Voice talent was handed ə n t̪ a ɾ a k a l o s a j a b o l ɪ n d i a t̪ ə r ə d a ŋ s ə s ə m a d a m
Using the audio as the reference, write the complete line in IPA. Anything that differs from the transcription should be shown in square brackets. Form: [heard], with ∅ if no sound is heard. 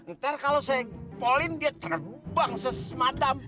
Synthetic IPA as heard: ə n t̪ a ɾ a k a l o s a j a [p] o l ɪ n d i a t̪ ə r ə [b] a ŋ s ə s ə m a d a m